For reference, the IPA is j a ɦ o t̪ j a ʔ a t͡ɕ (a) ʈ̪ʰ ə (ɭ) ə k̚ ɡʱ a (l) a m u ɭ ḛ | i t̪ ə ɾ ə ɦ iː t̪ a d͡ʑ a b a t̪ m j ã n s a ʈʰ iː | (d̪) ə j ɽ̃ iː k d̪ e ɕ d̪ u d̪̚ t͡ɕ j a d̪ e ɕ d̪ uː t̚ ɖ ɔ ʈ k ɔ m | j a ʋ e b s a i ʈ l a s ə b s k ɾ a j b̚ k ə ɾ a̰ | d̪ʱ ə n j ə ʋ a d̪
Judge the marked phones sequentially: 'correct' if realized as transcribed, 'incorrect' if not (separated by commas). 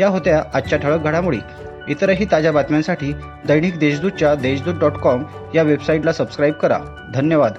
correct, correct, incorrect, correct